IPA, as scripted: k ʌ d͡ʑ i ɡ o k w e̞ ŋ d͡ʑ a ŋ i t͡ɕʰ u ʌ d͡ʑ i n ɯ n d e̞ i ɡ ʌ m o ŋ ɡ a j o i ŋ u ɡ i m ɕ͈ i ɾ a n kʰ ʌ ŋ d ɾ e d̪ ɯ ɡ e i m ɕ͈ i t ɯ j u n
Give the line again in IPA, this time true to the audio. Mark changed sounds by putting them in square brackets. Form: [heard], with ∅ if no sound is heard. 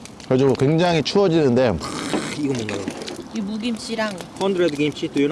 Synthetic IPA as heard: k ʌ d͡ʑ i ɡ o k w e̞ ŋ d͡ʑ a ŋ i t͡ɕʰ u ʌ d͡ʑ i n ɯ n d e̞ i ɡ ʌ m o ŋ ɡ a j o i [m] u ɡ i m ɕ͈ i ɾ a [ŋ] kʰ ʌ [n] d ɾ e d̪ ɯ ɡ e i m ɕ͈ i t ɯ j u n